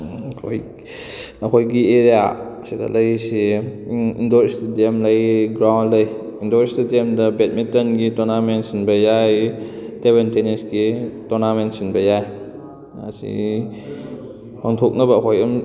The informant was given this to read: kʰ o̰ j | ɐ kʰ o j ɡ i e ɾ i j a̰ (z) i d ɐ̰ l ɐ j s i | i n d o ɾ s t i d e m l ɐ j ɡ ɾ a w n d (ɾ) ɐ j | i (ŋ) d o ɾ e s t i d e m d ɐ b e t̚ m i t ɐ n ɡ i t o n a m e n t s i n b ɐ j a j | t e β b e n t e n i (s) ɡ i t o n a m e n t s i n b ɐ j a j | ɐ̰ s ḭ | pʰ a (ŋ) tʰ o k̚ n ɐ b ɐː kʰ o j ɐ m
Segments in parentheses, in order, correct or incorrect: incorrect, incorrect, incorrect, correct, correct

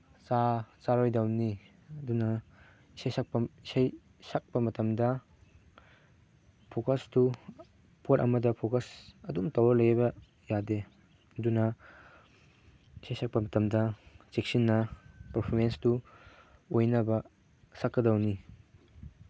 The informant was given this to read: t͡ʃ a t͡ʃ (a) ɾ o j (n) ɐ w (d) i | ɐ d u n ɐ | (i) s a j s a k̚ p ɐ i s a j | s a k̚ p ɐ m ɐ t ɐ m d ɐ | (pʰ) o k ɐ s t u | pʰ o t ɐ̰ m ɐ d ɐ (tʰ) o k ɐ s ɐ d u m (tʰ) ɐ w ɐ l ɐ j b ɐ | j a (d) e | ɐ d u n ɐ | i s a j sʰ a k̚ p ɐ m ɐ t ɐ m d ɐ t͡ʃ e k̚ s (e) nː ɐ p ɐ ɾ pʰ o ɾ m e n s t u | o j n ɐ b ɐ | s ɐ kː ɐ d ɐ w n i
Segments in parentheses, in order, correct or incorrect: correct, incorrect, incorrect, correct, correct, incorrect, incorrect, correct, incorrect

